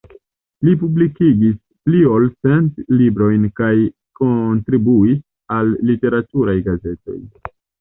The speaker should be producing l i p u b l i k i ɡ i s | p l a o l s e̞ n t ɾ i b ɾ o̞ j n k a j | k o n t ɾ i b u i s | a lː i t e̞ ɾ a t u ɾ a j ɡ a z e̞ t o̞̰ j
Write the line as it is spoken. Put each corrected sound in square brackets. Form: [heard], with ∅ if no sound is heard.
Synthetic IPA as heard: l i p u b l i k i ɡ i s | p l [i] o l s e̞ n t [l] i b ɾ o̞ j n k a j | k o n t ɾ i b u i s | a lː i t e̞ ɾ a t u ɾ a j ɡ a z e̞ t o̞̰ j